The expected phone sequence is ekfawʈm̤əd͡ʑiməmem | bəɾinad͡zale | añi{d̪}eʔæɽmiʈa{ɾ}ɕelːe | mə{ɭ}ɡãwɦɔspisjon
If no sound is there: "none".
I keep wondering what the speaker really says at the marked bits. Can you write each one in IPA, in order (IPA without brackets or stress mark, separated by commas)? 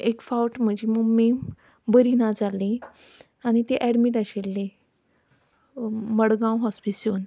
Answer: t̪, none, ɽ